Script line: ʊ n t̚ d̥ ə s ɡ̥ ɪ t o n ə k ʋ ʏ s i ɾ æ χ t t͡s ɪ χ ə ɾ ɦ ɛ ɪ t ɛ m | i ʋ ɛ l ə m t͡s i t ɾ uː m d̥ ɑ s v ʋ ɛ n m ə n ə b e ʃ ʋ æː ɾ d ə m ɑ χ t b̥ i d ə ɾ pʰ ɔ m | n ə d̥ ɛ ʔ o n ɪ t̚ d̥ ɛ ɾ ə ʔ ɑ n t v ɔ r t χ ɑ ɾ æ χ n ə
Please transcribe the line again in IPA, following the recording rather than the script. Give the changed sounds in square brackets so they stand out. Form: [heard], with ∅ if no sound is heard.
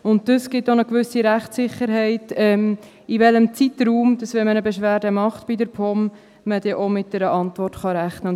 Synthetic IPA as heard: ʊ n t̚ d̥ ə s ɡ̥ ɪ t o n ə k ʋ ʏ s i ɾ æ χ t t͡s ɪ χ ə ɾ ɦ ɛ ɪ t ɛ m | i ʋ ɛ l ə m t͡s i t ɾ uː m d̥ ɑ s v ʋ ɛ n m ə n ə b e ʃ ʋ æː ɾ d ə m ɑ χ t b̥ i d ə ɾ pʰ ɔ m | [m] ə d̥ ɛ ʔ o [m] ɪ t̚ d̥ ɛ ɾ ə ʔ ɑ n t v ɔ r t χ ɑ ɾ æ χ n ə